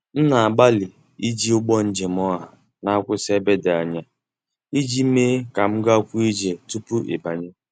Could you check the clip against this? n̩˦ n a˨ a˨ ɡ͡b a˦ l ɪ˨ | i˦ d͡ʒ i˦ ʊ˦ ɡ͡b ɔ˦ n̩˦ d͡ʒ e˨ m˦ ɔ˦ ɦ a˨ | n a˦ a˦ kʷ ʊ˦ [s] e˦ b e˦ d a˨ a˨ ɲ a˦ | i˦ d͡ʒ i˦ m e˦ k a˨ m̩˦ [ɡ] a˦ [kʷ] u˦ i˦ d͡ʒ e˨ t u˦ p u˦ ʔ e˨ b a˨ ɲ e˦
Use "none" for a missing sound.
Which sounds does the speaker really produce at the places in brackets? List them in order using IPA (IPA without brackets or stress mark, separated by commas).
s, ɡ, kʷ